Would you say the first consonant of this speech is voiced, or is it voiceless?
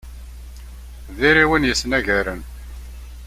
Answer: voiced